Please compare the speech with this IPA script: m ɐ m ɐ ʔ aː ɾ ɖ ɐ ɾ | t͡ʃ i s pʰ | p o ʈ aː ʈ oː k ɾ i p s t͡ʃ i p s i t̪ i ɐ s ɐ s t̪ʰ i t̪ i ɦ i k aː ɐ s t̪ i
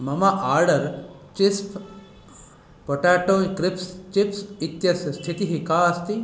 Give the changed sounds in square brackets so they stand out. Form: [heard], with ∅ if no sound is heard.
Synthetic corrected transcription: m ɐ m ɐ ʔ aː ɾ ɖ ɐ ɾ | t͡ʃ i s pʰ | p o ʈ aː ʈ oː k ɾ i p s t͡ʃ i p s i t̪ [j] ɐ s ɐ s t̪ʰ i t̪ i ɦ i k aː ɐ s t̪ i

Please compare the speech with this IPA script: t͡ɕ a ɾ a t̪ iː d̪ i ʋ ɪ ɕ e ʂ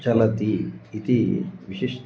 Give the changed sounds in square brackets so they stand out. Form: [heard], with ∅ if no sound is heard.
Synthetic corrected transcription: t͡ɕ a [l] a t̪ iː [t̪] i ʋ [i] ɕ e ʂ

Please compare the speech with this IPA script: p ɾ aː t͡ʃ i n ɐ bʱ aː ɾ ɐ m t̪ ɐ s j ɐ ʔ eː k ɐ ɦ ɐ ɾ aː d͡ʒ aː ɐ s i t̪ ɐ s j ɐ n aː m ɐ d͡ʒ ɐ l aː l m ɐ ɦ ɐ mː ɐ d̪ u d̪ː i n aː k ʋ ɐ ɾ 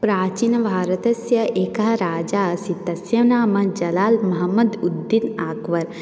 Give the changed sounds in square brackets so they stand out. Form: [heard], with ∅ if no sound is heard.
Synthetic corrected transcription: p ɾ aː t͡ʃ i n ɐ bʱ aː ɾ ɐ [∅] t̪ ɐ s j ɐ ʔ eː k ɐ ɦ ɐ ɾ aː d͡ʒ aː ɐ s i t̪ ɐ s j ɐ n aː m ɐ d͡ʒ ɐ l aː l m ɐ ɦ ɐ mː ɐ d̪ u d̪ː i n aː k ʋ ɐ ɾ

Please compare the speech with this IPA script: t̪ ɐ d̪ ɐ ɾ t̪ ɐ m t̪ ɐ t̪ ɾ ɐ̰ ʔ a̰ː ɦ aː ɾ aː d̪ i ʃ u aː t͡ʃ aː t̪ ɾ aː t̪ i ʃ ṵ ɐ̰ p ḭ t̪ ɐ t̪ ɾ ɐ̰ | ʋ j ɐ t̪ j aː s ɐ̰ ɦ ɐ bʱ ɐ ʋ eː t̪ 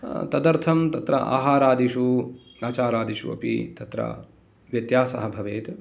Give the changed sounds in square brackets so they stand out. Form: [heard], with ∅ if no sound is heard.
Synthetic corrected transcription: t̪ ɐ d̪ ɐ ɾ [t̪ʰ] ɐ m t̪ ɐ t̪ ɾ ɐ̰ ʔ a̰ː ɦ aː ɾ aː d̪ i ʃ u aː t͡ʃ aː [∅] ɾ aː [d̪] i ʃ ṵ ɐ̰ p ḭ t̪ ɐ t̪ ɾ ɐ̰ | ʋ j ɐ t̪ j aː s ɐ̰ ɦ ɐ bʱ ɐ ʋ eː t̪

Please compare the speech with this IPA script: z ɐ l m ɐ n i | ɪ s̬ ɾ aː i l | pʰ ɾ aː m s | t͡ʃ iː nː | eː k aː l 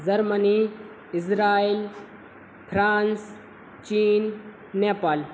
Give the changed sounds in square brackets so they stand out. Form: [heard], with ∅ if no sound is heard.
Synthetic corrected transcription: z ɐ [ɾ] m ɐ n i | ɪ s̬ ɾ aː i l | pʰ ɾ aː [n] s | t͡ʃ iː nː | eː [p] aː l

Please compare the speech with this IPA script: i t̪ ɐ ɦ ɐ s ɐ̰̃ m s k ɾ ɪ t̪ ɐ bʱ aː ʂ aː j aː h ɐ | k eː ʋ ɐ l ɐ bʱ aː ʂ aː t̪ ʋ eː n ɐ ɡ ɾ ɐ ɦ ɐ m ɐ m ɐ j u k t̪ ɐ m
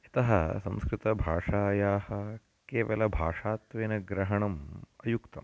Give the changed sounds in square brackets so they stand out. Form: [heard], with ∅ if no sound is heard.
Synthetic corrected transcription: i t̪ ɐ ɦ ɐ s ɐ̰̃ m s k ɾ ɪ t̪ ɐ bʱ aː ʂ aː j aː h ɐ | k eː ʋ ɐ l ɐ bʱ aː ʂ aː t̪ ʋ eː n ɐ ɡ ɾ ɐ ɦ ɐ [ɳ] ɐ m ɐ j u k t̪ ɐ m

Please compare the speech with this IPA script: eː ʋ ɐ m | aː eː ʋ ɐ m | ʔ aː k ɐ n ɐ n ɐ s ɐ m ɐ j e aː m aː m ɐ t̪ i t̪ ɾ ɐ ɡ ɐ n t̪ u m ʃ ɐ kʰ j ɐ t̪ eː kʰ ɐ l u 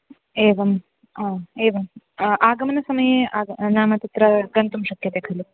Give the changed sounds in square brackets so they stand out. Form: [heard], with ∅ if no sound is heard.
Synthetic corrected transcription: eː ʋ ɐ m | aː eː ʋ ɐ m | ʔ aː [ɡ] ɐ [m] ɐ n ɐ s ɐ m ɐ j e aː [n] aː m ɐ t̪ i t̪ ɾ ɐ ɡ ɐ n t̪ u m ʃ ɐ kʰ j ɐ t̪ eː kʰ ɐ l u

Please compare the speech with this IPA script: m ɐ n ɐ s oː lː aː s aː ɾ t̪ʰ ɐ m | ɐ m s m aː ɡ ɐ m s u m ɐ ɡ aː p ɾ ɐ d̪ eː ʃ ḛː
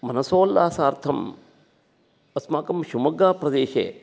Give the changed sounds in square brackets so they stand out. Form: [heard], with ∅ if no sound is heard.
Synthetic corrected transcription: m ɐ n ɐ s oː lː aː s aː ɾ t̪ʰ ɐ m | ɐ [∅] s m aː [k] ɐ m [ʃ] u m ɐ ɡ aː p ɾ ɐ d̪ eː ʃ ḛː

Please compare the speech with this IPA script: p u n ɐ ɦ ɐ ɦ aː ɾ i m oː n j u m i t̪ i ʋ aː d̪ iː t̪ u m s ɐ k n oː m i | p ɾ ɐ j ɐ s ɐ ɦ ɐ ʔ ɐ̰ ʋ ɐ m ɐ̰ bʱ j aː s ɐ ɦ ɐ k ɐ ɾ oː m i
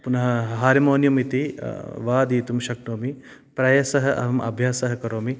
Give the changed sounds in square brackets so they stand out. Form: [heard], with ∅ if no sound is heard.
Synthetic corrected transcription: p u n ɐ ɦ ɐ ɦ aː ɾ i m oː n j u m i t̪ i ʋ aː d̪ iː t̪ u m [ʃ] ɐ k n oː m i | p ɾ ɐ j ɐ s ɐ ɦ ɐ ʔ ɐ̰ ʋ ɐ m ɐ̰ bʱ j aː s ɐ ɦ ɐ k ɐ ɾ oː m i

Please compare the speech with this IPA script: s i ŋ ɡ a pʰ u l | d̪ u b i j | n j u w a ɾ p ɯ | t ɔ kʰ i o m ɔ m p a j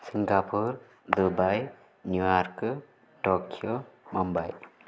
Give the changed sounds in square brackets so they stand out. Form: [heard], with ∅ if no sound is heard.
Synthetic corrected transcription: s i ŋ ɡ a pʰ u [ɾ] | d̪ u b [a] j | n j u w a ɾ [k] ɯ | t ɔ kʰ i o m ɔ m [b] a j

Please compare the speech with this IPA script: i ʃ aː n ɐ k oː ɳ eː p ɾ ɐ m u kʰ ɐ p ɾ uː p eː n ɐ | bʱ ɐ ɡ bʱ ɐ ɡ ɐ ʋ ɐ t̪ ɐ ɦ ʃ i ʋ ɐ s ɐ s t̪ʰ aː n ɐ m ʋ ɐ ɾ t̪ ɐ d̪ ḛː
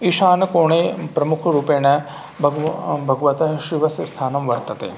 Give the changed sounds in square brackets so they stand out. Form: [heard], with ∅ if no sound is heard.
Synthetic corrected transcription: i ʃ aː n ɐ k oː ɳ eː p ɾ ɐ m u kʰ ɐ [∅] ɾ uː p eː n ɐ | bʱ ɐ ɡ bʱ ɐ ɡ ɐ ʋ ɐ t̪ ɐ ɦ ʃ i ʋ ɐ s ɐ s t̪ʰ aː n ɐ m ʋ ɐ ɾ t̪ ɐ [t̪] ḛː

